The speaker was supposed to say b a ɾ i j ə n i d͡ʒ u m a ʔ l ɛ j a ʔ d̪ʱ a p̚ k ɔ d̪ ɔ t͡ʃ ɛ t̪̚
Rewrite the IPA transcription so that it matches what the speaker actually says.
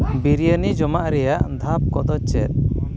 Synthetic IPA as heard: b i ɾ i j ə n i d͡ʒ ɔ m a ʔ ɾ ɛ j a ʔ d̪ʱ a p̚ k ɔ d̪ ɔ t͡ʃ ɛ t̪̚